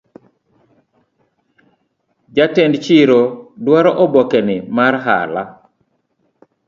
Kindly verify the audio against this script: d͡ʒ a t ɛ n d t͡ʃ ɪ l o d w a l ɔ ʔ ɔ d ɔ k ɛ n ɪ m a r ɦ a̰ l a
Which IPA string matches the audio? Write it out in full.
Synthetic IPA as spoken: d͡ʒ a t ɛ n d t͡ʃ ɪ ɾ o d w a ɾ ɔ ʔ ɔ b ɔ k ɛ n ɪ m a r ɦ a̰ l a